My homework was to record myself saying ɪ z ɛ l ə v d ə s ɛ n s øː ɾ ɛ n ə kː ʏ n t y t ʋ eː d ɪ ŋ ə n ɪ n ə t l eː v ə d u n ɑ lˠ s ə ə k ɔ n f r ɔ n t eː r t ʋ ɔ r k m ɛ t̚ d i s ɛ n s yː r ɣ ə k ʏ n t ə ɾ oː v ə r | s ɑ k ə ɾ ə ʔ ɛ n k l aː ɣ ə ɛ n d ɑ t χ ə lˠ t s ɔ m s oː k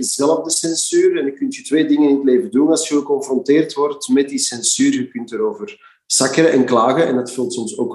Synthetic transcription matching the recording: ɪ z ɛ l ə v d ə s ɛ n s yː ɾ ɛ n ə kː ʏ n t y t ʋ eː d ɪ ŋ ə n ɪ n ə t l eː v ə d u n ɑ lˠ s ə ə k ɔ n f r ɔ n t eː r t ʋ ɔ r t m ɛ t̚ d i s ɛ n s yː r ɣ ə k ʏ n t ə ɾ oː v ə r | s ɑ k ə ɾ ə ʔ ɛ n k l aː ɣ ə ɛ n d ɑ t f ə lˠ t s ɔ m s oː k